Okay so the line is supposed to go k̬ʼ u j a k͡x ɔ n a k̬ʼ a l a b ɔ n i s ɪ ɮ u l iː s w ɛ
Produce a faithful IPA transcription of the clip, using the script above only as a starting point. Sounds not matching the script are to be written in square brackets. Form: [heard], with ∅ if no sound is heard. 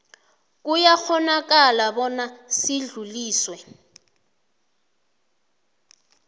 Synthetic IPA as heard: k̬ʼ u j a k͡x ɔ n a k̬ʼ a l a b ɔ n [a] s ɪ ɮ u l iː s w ɛ